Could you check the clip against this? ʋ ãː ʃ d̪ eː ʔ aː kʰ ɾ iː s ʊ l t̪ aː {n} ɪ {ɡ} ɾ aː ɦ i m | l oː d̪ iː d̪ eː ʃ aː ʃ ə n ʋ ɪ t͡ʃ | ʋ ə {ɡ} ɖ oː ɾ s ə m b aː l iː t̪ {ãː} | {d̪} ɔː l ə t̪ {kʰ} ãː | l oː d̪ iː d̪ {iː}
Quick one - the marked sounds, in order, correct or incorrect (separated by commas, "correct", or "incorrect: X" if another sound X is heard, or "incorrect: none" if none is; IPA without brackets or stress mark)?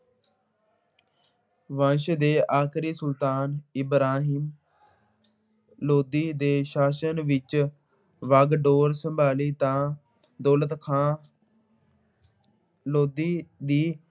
correct, incorrect: b, correct, correct, correct, correct, correct